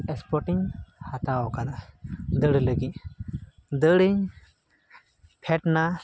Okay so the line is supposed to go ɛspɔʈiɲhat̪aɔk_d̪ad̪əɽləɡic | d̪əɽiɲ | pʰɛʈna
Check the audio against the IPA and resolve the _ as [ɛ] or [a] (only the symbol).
a